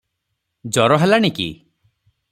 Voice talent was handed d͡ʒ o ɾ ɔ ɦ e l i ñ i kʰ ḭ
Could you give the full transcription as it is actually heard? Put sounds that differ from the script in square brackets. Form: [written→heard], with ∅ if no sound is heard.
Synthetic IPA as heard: d͡ʒ [o→ɔ] ɾ ɔ ɦ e l [i→a] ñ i [kʰ→k] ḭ